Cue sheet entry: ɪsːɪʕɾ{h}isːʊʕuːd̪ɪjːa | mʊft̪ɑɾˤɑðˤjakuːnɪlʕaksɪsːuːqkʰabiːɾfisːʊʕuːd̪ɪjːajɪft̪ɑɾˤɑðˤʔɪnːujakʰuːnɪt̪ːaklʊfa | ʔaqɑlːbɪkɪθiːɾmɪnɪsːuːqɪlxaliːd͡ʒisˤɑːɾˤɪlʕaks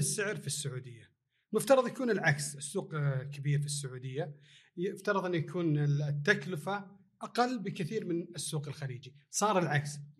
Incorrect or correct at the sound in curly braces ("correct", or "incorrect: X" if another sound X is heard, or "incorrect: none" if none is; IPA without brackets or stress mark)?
incorrect: f